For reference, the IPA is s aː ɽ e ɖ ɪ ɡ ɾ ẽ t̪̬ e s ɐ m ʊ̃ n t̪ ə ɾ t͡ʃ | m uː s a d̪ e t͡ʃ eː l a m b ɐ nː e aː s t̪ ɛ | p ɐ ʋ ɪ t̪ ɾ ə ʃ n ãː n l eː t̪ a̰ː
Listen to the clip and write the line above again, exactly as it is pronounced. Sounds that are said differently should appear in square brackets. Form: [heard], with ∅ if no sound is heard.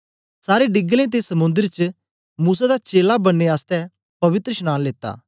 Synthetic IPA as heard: s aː [ɾ] e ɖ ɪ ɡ [l] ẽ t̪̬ e s ɐ m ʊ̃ n [d̪] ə ɾ t͡ʃ | m uː s a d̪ [a] t͡ʃ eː l a [∅] b ɐ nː e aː s t̪ ɛ | p ɐ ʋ ɪ t̪ ɾ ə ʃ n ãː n l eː t̪ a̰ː